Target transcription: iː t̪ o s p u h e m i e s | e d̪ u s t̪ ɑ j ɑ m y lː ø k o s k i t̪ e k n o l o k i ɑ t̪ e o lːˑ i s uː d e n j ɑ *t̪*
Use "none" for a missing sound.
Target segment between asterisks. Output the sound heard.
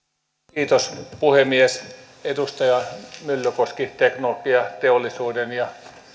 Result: none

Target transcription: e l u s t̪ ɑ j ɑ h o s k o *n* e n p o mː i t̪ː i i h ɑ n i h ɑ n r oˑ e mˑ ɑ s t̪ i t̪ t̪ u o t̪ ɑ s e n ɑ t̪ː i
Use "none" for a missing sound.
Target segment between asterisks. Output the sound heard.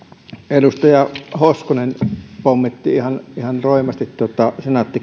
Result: n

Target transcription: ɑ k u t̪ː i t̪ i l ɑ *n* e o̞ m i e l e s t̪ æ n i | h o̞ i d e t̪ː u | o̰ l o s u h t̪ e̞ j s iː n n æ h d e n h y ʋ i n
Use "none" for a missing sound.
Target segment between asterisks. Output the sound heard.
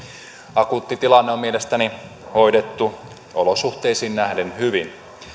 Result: nː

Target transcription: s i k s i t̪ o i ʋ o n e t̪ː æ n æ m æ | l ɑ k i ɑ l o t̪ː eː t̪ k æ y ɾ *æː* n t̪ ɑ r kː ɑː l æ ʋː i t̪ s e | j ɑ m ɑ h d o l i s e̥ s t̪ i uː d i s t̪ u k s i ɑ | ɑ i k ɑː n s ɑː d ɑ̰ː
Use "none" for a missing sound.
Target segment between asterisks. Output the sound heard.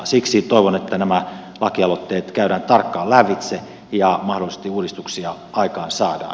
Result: æː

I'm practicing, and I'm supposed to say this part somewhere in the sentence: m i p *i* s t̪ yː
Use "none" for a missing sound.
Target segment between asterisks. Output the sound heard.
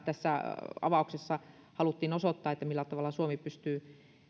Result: y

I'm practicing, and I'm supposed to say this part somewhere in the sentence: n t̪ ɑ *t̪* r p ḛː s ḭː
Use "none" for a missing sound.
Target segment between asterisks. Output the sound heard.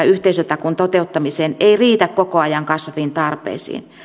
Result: none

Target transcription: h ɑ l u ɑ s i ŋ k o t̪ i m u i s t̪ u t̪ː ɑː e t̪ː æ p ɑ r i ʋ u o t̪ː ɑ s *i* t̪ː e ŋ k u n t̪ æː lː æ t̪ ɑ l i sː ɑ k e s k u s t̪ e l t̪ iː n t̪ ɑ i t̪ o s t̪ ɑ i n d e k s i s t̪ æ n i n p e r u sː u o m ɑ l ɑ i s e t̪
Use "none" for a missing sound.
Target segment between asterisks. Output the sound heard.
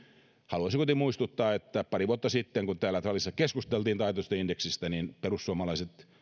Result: i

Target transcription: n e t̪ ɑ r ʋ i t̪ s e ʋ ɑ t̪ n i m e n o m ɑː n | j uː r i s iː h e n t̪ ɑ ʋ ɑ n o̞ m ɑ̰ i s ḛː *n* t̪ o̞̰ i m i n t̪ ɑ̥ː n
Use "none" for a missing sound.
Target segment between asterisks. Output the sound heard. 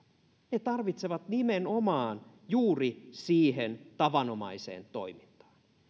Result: n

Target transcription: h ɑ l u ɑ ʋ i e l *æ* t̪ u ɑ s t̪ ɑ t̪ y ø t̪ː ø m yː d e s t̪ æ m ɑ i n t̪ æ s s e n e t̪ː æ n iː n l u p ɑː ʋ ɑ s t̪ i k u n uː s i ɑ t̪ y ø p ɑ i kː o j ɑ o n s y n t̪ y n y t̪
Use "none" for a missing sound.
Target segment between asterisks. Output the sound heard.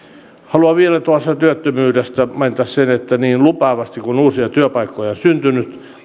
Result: æ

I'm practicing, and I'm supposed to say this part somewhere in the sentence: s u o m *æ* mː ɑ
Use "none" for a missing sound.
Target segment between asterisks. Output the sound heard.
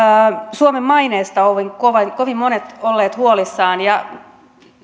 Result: e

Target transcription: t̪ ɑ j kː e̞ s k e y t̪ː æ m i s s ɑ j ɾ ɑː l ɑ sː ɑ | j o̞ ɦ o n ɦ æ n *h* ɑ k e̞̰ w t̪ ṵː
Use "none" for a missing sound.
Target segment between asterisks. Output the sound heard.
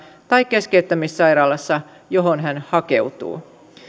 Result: h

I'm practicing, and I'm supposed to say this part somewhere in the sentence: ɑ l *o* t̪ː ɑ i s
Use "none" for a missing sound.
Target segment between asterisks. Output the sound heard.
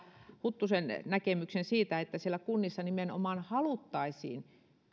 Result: u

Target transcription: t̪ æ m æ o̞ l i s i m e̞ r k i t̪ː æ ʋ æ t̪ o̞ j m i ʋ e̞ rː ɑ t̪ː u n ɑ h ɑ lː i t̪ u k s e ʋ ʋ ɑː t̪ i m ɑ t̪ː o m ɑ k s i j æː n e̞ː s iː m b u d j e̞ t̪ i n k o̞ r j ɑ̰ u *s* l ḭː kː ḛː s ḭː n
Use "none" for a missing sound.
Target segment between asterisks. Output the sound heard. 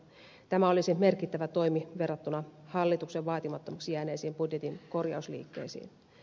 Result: s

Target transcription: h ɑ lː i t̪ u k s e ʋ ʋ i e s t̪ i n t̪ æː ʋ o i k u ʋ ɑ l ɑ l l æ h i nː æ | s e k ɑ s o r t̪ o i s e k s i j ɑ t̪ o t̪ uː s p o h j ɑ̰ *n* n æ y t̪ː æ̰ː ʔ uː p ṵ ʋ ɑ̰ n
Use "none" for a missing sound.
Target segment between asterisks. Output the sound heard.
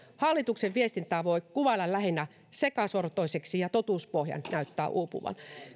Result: n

